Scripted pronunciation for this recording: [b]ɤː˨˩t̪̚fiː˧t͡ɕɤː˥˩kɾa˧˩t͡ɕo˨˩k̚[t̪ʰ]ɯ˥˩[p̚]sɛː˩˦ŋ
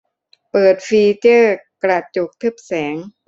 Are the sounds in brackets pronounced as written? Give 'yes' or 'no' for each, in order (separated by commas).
no, yes, yes